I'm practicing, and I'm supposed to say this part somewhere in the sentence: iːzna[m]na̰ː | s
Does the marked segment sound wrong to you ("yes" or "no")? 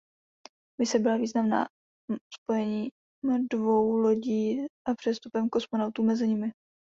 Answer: no